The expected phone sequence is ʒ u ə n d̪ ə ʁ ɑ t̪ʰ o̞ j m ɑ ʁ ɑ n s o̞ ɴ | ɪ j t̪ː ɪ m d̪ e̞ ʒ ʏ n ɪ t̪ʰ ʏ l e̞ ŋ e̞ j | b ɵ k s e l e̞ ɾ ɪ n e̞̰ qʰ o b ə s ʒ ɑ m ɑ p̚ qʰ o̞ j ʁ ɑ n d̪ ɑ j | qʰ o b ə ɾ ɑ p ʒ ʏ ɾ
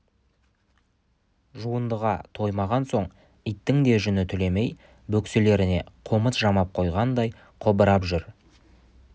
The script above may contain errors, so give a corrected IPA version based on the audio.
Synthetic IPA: ʒ u ə n d̪ ə ʁ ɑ t̪ʰ o̞ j m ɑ ʁ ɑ n s o̞ ɴ | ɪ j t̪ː ɪ ŋ d̪ e̞ ʒ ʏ n ɪ t̪ʰ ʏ l e̞ m e̞ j | b ɵ k s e l e̞ ɾ ɪ n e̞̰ qʰ o m ə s ʒ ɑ m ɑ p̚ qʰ o̞ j ʁ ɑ n d̪ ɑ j | qʰ o b ə ɾ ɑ p ʒ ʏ ɾ